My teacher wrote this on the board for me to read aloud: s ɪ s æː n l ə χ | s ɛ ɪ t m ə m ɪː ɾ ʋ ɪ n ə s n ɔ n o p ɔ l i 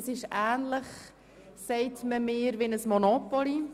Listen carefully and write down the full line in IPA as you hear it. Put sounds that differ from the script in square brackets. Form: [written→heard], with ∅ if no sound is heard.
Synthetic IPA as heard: s ɪ [s→ʃ] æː n l ə χ | s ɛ ɪ t m ə m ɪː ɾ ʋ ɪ n ə s [n→m] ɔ n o p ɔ l i